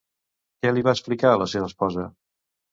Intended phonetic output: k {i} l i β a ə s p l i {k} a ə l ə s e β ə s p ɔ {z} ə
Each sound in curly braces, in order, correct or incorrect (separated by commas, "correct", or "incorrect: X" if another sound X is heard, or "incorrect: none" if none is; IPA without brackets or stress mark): incorrect: ɛ, correct, correct